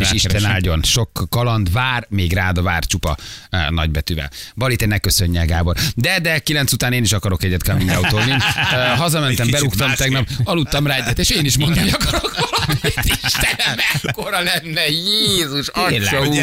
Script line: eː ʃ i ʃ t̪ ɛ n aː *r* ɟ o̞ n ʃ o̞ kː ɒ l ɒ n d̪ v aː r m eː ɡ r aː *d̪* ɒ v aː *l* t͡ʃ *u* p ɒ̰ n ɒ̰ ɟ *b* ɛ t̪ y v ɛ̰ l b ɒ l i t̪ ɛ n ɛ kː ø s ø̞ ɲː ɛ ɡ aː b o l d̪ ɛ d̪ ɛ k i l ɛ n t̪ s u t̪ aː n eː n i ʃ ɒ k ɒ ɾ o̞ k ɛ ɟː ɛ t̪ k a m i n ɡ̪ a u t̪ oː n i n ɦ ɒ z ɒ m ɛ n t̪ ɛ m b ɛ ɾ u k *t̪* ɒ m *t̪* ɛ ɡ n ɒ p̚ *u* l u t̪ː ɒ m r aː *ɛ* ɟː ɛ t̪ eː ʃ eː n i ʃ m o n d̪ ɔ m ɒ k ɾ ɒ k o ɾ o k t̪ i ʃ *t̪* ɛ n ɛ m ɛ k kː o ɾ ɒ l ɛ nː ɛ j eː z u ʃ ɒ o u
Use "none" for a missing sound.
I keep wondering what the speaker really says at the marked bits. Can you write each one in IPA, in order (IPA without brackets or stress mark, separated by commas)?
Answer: l, d̪, r, u, b, t̪, t̪, ɒ, ɛ, t̪